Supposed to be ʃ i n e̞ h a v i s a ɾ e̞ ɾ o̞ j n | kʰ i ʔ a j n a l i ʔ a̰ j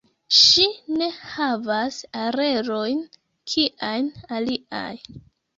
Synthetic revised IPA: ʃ i n e̞ h a v a s a ɾ e̞ ɾ o̞ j n | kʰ i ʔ a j n a l i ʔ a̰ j

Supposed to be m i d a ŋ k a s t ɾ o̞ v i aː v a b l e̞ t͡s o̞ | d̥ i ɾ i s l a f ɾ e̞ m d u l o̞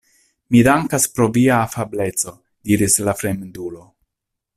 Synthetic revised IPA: m i d a ŋ k a s p ɾ o̞ v i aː f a b l e̞ t͡s o̞ | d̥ i ɾ i s l a f ɾ e̞ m d u l o̞

